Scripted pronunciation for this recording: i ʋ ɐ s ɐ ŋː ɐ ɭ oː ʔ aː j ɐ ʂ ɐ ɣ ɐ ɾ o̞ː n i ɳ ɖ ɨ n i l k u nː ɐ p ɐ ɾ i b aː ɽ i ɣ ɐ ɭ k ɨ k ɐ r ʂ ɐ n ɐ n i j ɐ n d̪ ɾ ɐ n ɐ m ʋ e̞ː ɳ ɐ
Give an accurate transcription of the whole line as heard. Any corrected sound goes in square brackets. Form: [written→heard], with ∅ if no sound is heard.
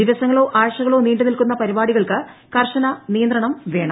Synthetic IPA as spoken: i ʋ ɐ s ɐ ŋː ɐ ɭ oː ʔ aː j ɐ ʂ ɐ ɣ ɐ [ɾ→ɭ] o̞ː n [i→iː] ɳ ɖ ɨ n i l k u nː ɐ p ɐ ɾ i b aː ɽ i ɣ ɐ ɭ k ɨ k ɐ r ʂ ɐ n ɐ n i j ɐ n d̪ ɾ ɐ [n→ɳ] ɐ m ʋ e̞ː ɳ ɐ